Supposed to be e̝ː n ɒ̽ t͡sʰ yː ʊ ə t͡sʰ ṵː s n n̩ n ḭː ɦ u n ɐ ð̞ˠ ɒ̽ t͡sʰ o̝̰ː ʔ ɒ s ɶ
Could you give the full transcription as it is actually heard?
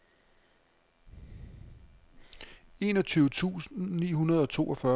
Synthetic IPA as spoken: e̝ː n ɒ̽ t͡sʰ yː ʊ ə t͡sʰ ṵː s n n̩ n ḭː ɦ u n ɐ ð̞ˠ ɒ̽ t͡sʰ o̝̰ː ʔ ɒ f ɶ

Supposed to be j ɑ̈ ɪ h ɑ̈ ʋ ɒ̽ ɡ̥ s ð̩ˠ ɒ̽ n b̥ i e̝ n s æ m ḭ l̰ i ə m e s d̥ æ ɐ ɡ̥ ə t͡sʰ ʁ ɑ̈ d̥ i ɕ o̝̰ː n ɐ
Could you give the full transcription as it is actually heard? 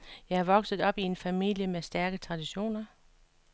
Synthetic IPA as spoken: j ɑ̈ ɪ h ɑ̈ ʋ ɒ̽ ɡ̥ s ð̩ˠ ɒ̽ b̥ i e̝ n f æ m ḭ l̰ j ə m e s d̥ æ ɐ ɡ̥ ə t͡sʰ ʁ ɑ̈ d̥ i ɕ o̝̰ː n ɐ

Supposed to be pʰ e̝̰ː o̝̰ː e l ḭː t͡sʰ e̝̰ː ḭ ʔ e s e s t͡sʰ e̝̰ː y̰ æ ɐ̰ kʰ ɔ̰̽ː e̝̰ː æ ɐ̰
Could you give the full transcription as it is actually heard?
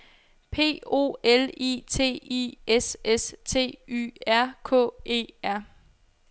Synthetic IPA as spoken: pʰ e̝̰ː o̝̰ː e l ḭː t͡sʰ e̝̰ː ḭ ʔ e s e s t͡sʰ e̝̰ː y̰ æ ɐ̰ kʰ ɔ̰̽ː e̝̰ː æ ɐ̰

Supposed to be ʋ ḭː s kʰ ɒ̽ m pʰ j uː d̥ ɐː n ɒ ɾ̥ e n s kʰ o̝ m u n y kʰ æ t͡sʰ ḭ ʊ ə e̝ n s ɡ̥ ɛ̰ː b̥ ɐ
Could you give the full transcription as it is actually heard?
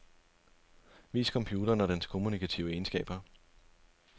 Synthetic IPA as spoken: ʋ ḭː s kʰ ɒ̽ m pʰ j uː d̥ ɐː n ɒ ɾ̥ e n s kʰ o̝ m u n i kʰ æ t͡sʰ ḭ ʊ ə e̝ n s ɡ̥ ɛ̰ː b̥ ɐ

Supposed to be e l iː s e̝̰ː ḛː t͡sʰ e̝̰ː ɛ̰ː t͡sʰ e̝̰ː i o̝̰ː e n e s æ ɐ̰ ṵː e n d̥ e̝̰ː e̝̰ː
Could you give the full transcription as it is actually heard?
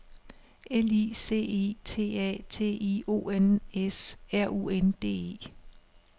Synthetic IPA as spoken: e l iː s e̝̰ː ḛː t͡sʰ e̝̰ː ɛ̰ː t͡sʰ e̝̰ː i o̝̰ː e n e s æ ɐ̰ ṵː e n d̥ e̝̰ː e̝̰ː

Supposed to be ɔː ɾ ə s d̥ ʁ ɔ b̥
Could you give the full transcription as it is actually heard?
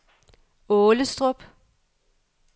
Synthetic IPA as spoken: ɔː l ə s d̥ ʁ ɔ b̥

